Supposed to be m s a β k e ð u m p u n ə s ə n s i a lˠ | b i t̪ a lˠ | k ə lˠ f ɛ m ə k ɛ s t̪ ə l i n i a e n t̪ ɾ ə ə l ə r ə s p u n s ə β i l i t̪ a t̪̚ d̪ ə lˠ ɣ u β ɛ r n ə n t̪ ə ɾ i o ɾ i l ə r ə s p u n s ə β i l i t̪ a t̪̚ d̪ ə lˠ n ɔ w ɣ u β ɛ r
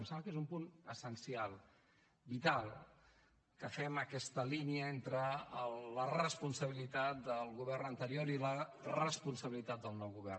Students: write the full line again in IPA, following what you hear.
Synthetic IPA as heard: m s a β k e z u m p u n ə s ə n s i a lˠ | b i t̪ a lˠ | k ə f ɛ m ə k ɛ s t̪ ə l i n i ə e n t̪ ɾ ə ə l ə r ə s p u n s ə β i l i t̪ a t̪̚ d̪ ə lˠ ɣ u β ɛ r n ə n t̪ ə ɾ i o ɾ i l ə r ə s p u n s ə β i l i t̪ a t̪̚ d̪ ə lˠ n ɔ w ɣ u β ɛ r